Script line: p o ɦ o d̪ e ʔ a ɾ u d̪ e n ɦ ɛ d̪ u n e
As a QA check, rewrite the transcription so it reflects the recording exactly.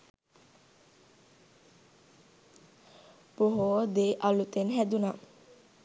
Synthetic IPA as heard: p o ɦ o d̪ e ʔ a l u t̪ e n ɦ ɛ d̪ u n a